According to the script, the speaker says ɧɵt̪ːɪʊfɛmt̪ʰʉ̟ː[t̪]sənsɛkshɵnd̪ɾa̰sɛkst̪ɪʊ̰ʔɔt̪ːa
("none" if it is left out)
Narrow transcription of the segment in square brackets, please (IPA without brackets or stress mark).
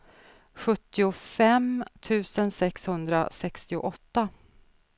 none